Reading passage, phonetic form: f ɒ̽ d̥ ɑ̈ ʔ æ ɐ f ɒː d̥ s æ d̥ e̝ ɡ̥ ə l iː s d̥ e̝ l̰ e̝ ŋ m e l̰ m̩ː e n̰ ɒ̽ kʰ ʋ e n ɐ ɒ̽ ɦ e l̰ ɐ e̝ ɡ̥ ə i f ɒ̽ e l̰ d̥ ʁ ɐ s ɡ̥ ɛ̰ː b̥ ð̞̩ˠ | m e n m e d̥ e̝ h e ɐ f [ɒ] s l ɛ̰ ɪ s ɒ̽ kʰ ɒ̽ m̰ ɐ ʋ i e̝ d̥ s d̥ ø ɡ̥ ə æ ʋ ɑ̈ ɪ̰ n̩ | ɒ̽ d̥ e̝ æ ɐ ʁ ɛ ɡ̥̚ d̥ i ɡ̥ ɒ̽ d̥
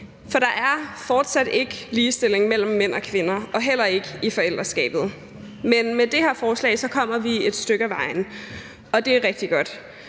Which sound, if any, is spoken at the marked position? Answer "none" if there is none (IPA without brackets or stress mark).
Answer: ɒː